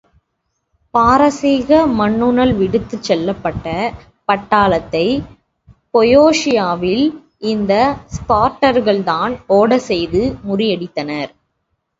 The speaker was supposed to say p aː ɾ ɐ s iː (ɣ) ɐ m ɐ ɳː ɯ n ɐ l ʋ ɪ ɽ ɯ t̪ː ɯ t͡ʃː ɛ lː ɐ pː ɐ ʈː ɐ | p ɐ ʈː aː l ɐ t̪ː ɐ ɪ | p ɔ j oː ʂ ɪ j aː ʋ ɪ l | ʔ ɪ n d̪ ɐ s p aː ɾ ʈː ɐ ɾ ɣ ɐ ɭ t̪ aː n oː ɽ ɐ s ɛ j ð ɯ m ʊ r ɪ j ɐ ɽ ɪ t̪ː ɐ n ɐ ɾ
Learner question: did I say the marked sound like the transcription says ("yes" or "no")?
yes